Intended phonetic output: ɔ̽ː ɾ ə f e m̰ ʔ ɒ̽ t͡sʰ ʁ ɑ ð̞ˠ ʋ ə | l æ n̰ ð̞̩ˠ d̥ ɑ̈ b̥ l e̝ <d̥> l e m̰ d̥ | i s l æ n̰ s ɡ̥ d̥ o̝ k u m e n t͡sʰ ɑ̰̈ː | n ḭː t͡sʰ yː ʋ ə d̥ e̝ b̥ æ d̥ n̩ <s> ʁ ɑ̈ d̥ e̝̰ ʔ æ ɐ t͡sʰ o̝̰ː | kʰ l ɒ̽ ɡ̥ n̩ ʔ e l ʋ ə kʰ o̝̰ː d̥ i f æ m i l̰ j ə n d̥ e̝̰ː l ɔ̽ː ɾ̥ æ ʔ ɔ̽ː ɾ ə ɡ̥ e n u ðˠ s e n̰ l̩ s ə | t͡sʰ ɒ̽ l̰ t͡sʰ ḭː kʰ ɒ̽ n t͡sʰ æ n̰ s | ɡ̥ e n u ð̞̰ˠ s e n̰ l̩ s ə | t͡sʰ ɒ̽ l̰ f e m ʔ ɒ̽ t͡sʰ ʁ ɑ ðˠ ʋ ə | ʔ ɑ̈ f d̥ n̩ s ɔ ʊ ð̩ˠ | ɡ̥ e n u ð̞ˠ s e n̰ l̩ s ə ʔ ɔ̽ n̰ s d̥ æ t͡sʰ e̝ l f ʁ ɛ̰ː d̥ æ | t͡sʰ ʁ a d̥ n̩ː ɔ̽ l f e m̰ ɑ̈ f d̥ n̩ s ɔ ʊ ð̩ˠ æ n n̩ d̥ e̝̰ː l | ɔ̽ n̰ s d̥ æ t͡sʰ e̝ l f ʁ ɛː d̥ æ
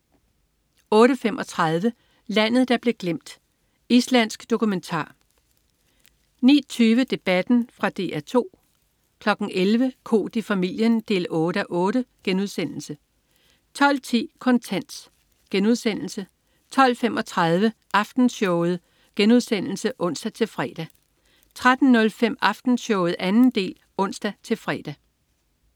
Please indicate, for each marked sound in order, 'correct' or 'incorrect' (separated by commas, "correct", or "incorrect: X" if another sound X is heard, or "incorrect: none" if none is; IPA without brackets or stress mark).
incorrect: ɡ̥, incorrect: f